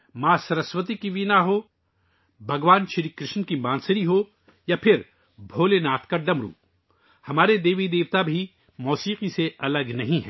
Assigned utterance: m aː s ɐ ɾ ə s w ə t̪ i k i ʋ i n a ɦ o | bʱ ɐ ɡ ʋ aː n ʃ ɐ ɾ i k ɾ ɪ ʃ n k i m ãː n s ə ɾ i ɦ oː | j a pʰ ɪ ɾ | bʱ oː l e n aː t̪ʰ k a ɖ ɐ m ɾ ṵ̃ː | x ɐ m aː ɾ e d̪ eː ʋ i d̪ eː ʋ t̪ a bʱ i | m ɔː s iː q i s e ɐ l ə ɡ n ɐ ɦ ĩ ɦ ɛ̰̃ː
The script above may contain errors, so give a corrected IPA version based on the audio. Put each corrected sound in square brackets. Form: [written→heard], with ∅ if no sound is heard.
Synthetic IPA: m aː s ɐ ɾ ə s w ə t̪ i k i ʋ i n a ɦ o | bʱ ɐ ɡ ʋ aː n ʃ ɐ ɾ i k ɾ ɪ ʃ n k i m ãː n s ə ɾ i ɦ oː | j a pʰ ɪ ɾ | bʱ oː l e n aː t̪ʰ k a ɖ ɐ m ɾ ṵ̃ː | [x→h] ɐ m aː ɾ e d̪ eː ʋ i d̪ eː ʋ t̪ a bʱ i | m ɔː s iː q i s e ɐ l ə ɡ n ɐ ɦ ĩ ɦ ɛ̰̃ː